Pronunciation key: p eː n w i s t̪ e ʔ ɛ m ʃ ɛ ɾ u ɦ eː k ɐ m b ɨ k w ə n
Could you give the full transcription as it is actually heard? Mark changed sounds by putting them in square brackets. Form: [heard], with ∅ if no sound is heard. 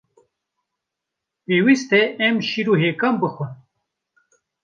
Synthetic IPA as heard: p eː [∅] w i s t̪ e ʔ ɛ m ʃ [i] ɾ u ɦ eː k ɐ m b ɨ [x] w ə n